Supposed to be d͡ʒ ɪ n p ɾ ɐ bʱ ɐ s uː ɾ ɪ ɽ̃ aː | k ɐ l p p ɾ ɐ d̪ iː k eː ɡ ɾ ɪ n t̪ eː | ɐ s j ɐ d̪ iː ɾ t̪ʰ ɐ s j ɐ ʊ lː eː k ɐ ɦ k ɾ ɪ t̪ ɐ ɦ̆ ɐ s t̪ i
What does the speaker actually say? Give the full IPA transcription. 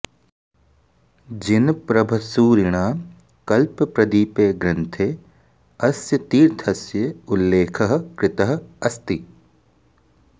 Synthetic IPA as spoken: d͡ʒ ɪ n p ɾ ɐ bʱ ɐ s uː ɾ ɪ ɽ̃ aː | k ɐ l p p ɾ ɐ d̪ iː p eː ɡ ɾ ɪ n t̪ʰ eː | ɐ s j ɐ t̪ iː ɾ t̪ʰ ɐ s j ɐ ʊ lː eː kʰ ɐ ɦ k ɾ ɪ t̪ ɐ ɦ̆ ɐ s t̪ i